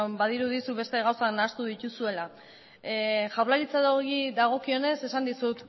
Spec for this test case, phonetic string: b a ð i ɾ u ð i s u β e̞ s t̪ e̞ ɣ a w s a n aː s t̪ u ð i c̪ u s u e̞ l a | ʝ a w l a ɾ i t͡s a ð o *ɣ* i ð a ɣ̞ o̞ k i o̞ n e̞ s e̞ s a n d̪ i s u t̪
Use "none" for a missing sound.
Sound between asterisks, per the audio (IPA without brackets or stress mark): ɣ